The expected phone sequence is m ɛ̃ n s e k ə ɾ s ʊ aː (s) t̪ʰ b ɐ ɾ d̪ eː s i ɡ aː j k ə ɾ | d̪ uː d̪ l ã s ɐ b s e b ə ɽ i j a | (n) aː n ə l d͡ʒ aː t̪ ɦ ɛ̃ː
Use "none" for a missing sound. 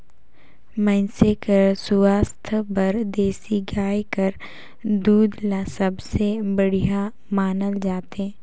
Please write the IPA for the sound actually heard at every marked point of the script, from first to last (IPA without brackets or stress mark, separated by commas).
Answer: s, m